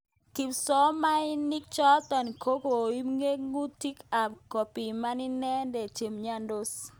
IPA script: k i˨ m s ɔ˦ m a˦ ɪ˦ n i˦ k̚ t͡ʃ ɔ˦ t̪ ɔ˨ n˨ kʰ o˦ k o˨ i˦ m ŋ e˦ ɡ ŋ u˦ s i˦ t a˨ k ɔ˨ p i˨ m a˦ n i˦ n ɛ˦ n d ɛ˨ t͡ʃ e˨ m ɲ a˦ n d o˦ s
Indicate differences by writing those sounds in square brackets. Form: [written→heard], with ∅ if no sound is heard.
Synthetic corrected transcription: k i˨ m s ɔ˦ m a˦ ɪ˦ n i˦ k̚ t͡ʃ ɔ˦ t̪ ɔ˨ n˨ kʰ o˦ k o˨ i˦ m ŋ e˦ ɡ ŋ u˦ [s→t] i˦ [t→k] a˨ k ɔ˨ p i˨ m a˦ n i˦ n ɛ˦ n d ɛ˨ t͡ʃ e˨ m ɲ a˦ n d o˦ s